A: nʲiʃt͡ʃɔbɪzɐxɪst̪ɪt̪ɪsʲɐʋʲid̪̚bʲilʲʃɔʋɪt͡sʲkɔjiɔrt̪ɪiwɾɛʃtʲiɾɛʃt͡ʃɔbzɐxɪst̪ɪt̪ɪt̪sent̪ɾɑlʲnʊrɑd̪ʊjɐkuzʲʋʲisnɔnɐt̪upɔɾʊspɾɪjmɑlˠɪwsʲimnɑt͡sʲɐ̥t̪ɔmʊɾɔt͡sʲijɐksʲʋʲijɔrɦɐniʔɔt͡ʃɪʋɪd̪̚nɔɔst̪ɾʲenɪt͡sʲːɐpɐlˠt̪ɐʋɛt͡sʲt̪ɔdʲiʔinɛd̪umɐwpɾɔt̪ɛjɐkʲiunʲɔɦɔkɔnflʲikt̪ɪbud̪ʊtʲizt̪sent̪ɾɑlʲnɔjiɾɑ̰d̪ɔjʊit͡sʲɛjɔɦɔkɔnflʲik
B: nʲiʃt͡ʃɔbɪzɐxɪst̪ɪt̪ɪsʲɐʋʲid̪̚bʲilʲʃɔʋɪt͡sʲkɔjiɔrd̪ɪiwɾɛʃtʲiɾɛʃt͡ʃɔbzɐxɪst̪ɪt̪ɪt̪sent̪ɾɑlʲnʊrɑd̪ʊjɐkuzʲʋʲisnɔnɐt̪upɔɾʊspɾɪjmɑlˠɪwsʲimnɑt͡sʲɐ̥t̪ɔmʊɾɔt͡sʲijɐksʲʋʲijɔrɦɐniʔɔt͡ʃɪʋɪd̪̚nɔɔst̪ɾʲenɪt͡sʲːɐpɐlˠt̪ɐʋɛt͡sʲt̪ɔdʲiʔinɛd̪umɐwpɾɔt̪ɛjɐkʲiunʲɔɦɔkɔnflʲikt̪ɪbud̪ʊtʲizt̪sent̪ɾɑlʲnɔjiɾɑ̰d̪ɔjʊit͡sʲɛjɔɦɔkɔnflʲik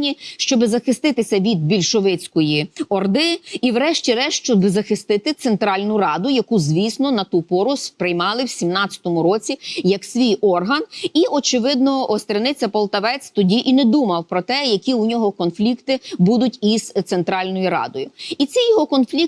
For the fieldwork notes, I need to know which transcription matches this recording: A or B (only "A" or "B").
B